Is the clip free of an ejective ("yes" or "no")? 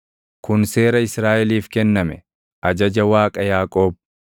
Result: no